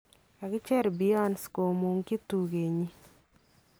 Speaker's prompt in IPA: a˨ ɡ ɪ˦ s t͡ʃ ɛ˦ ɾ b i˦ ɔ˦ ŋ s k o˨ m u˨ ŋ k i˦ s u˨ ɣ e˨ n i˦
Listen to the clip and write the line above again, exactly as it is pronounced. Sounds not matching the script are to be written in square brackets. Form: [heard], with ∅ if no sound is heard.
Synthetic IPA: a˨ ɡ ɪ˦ [∅] t͡ʃ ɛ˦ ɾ b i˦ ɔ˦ [n] s k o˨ m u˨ ŋ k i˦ [t] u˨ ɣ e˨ [ɲ] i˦